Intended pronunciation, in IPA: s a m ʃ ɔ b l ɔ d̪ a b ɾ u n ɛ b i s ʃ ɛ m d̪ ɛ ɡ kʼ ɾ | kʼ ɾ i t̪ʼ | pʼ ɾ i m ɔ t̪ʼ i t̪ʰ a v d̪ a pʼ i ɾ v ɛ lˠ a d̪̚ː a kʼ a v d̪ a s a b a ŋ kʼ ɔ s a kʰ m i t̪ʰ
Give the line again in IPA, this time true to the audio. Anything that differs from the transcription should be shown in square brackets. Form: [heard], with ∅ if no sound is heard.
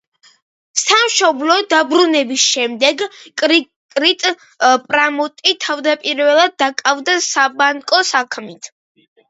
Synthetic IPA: s a m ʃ ɔ b l ɔ d̪ a b ɾ u n ɛ b i s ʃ ɛ m d̪ ɛ ɡ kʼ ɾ | kʼ ɾ i t̪ʼ | pʼ ɾ [a] m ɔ t̪ʼ i t̪ʰ a v d̪ a pʼ i ɾ v ɛ lˠ a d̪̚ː a kʼ a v d̪ a s a b a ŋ kʼ ɔ s a kʰ m i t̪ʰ